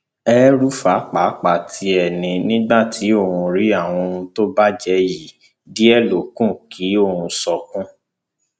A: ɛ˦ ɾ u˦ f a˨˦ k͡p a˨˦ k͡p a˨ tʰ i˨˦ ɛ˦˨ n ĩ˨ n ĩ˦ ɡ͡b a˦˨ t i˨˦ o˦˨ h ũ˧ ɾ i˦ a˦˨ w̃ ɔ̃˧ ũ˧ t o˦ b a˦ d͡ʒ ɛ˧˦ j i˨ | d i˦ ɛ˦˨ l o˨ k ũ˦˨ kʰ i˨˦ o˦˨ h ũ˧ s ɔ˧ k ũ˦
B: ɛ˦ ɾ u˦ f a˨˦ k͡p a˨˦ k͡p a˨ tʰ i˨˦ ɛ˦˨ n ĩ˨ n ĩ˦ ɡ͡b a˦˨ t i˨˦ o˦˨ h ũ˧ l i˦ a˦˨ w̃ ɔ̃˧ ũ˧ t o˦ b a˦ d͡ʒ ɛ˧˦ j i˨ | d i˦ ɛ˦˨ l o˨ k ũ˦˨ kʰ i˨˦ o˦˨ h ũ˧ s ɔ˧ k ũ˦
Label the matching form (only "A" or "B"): A